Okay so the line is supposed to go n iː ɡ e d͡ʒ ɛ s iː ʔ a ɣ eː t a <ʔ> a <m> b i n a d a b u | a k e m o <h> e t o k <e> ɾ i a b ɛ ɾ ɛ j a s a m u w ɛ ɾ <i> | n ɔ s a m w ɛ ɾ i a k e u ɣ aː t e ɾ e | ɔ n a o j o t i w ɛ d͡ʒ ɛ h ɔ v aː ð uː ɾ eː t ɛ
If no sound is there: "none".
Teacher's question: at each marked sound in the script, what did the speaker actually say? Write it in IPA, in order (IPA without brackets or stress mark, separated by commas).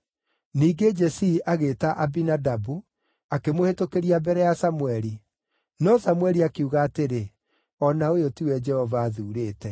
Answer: ʔ, none, h, e, i